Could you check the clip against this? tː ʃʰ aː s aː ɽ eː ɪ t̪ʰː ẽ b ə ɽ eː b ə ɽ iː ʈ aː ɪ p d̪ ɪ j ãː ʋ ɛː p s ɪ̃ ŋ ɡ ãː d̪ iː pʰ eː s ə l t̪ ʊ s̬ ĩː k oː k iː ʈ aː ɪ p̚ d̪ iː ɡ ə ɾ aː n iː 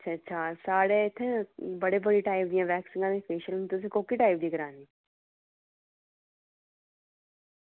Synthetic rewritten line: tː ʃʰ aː s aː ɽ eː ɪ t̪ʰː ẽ b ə ɽ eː b ə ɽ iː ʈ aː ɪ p d̪ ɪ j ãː ʋ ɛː k s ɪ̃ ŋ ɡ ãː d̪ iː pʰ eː ʃ ə l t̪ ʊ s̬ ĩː k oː k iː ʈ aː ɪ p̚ d̪ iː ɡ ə ɾ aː n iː

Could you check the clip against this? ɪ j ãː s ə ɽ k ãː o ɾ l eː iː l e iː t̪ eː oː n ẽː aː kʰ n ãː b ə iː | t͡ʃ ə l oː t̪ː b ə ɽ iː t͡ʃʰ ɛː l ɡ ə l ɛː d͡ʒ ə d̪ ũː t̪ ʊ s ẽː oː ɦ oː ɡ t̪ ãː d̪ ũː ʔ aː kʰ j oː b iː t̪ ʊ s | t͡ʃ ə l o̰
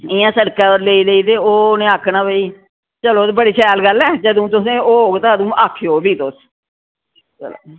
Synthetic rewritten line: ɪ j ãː s ə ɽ k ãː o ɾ l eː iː l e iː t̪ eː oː n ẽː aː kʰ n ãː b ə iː | t͡ʃ ə l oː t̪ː b ə ɽ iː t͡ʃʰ ɛː l ɡ ə l ɛː d͡ʒ ə d̪ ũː t̪ ʊ s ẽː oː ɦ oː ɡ t̪ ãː d̪ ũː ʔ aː kʰ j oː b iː t̪ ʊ s | t͡ʃ ə l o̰

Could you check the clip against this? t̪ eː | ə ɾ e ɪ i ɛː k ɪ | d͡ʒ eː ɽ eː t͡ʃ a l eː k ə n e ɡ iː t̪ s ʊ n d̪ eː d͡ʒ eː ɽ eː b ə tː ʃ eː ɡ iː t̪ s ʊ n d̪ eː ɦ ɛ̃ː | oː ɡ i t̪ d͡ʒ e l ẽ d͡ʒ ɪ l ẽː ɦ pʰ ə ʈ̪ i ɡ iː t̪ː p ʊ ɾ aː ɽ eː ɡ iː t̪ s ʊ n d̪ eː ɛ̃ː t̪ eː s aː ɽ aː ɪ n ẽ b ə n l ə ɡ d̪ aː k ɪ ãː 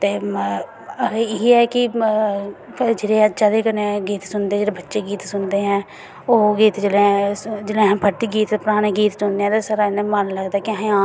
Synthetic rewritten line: t̪ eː | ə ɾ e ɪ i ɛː k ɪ | d͡ʒ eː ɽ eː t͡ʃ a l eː k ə n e ɡ iː t̪ s ʊ n d̪ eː d͡ʒ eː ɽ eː b ə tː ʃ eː ɡ iː t̪ s ʊ n d̪ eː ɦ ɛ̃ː | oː ɡ iː t̪ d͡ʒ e l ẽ d͡ʒ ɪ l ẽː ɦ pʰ ə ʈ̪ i ɡ iː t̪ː p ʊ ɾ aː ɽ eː ɡ iː t̪ s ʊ n d̪ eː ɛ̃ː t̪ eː s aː ɾ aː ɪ n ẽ m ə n l ə ɡ d̪ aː k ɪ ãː

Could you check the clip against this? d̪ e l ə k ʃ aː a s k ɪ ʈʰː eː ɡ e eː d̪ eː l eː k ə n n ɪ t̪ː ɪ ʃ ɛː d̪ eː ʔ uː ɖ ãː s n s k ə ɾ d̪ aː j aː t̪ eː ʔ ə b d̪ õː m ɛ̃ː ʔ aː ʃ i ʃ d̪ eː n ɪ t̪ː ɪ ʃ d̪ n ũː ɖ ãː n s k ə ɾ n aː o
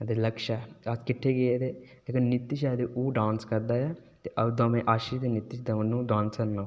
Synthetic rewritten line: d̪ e l ə k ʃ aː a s k ɪ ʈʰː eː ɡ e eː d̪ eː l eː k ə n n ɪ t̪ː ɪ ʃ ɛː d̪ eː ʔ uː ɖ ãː n s k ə ɾ d̪ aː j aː t̪ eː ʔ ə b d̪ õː m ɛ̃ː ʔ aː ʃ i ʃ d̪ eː n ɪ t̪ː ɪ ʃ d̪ n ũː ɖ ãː n s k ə ɾ n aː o

